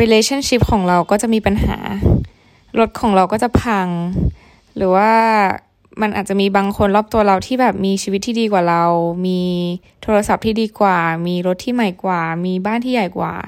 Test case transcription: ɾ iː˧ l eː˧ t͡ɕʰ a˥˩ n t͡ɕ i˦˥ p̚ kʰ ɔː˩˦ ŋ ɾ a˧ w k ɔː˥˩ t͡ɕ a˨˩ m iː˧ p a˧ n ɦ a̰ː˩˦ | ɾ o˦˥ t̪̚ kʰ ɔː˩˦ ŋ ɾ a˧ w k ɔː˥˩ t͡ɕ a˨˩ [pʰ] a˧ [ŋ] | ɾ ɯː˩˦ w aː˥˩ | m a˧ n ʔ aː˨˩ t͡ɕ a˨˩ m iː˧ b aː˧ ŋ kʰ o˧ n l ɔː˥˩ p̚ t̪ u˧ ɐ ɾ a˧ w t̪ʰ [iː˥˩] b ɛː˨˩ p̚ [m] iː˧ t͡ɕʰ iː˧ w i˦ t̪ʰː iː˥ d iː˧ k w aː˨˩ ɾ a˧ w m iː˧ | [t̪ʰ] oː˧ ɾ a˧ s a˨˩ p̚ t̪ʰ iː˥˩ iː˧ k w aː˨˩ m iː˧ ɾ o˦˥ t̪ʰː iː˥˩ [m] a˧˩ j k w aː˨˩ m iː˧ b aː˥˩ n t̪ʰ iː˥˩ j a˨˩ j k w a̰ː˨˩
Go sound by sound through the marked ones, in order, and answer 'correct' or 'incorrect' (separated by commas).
correct, correct, correct, correct, correct, correct